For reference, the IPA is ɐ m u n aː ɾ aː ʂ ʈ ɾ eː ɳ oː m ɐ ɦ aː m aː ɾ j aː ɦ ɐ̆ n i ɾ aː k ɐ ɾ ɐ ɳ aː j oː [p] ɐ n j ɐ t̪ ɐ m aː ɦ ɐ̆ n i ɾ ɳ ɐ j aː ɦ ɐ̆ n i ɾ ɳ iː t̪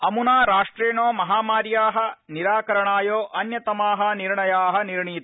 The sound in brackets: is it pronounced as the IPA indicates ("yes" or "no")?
no